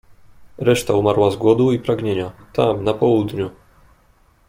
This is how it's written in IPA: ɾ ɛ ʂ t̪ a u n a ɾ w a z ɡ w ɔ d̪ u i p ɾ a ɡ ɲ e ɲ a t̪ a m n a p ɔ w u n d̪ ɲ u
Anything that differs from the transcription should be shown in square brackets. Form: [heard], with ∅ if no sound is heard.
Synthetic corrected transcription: ɾ ɛ ʂ t̪ a u [m] a ɾ w a z ɡ w ɔ d̪ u i p ɾ a ɡ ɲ e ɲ a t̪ a m n a p ɔ w u [∅] d̪ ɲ u